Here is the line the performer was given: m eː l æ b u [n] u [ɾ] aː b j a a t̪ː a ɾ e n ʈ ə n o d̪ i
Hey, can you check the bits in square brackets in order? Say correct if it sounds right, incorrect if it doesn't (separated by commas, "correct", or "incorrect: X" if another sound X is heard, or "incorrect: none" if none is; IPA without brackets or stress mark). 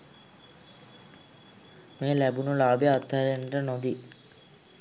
correct, incorrect: l